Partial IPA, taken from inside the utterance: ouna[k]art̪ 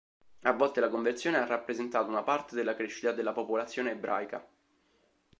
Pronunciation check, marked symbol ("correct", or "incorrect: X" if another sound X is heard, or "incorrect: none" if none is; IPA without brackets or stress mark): incorrect: p